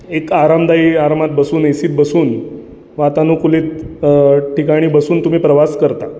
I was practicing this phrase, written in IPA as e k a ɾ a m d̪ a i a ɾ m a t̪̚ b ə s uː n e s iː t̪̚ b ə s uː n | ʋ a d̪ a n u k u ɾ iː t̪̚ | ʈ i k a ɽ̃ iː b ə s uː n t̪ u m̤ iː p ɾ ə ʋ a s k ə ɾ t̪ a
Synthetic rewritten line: e k a ɾ a m d̪ a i a ɾ m a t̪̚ b ə s uː n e s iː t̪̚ b ə s uː n | ʋ a t̪ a n u k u l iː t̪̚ | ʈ i k a ɽ̃ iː b ə s uː n t̪ u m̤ iː p ɾ ə ʋ a s k ə ɾ t̪ a